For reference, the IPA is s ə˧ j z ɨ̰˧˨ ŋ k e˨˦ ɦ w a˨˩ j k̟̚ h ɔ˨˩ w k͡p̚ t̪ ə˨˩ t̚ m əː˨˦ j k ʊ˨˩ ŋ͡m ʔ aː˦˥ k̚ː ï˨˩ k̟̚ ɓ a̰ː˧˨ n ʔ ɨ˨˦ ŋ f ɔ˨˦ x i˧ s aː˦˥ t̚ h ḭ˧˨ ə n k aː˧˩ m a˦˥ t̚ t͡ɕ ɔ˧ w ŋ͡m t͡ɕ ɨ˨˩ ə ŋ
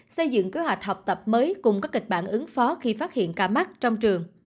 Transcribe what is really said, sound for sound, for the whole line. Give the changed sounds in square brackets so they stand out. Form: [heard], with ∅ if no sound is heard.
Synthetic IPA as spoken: s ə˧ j z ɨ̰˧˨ ŋ k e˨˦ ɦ w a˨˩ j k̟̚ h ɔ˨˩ w k͡p̚ t̪ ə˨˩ [p̚] m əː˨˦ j k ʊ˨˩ ŋ͡m [k] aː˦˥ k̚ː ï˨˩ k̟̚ ɓ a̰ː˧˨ n ʔ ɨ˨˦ ŋ f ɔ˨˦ x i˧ [f] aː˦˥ t̚ h ḭ˧˨ ə n k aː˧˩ m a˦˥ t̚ t͡ɕ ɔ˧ w ŋ͡m t͡ɕ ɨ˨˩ ə ŋ